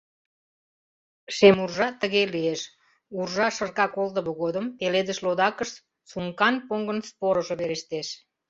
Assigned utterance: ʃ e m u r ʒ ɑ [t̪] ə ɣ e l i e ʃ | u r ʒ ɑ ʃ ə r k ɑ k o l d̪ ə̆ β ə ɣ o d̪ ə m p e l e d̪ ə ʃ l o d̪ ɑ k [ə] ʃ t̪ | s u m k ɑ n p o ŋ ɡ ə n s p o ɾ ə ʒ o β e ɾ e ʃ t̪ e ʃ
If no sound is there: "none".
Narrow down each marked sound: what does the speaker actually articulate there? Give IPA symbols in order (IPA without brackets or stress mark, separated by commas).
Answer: t̪, ə